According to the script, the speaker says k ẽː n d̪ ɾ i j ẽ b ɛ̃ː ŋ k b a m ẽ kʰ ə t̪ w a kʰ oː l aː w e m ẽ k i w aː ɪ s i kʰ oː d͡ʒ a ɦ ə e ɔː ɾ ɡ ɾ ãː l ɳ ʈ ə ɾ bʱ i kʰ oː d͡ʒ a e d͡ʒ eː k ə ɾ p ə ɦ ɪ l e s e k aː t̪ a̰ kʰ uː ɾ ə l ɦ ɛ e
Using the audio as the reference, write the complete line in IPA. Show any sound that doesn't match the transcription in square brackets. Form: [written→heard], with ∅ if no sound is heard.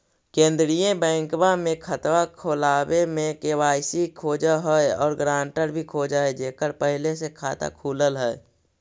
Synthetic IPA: k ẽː n d̪ ɾ i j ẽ b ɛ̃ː ŋ k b a m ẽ kʰ ə t̪ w a kʰ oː l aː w e m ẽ k [i→e] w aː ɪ s i kʰ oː d͡ʒ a ɦ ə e ɔː ɾ ɡ ɾ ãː [l→∅] ɳ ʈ ə ɾ bʱ i kʰ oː d͡ʒ a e d͡ʒ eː k ə ɾ p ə ɦ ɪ l e s e [k→kʰ] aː t̪ a̰ kʰ uː [ɾ→l] ə l ɦ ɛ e